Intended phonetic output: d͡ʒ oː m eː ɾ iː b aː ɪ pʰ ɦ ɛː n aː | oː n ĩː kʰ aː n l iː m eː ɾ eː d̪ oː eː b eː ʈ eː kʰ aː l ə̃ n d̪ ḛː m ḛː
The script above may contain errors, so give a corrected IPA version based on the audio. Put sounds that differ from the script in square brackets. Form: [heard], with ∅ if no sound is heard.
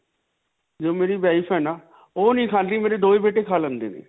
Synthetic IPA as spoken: d͡ʒ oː m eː ɾ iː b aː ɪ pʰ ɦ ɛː n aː | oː n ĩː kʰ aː n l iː m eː ɾ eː d̪ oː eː b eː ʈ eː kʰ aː l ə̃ n d̪ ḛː [n] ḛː